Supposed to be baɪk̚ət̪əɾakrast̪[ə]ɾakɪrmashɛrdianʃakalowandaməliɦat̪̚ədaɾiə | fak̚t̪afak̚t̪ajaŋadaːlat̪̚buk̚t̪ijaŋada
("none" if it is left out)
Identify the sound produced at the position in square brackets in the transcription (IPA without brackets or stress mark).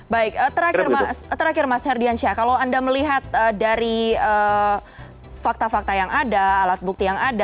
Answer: ə